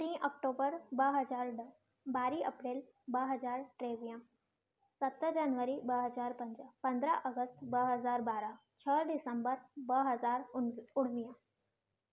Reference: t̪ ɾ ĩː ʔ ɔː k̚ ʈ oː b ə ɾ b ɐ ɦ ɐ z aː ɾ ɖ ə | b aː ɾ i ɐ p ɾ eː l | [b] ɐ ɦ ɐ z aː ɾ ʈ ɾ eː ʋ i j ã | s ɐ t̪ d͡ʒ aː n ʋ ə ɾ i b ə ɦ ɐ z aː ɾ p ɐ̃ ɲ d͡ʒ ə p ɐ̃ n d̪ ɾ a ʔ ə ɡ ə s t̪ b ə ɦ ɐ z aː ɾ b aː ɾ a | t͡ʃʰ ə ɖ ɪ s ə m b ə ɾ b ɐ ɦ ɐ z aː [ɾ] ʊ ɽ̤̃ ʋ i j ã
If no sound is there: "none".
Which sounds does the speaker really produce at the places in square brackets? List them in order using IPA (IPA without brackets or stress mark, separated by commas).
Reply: b, ɾ